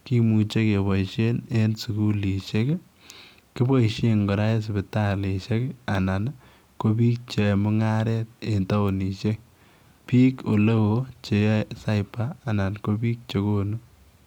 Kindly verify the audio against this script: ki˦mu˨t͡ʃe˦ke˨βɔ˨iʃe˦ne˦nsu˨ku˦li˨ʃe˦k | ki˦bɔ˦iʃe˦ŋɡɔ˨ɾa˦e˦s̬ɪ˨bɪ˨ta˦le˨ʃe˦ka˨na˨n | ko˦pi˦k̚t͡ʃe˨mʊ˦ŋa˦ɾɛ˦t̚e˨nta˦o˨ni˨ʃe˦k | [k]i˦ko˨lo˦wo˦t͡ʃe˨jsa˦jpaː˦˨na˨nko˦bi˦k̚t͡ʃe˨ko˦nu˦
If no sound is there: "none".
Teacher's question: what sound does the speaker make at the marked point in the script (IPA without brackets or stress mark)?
p